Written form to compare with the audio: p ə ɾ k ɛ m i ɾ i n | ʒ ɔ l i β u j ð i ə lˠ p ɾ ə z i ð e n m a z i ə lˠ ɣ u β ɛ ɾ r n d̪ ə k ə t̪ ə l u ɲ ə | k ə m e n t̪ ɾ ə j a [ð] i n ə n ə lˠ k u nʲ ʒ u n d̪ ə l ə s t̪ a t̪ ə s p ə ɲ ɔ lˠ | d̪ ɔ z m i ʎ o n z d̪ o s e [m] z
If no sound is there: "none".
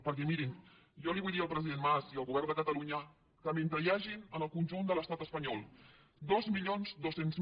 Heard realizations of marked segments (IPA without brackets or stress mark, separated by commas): ʒ, n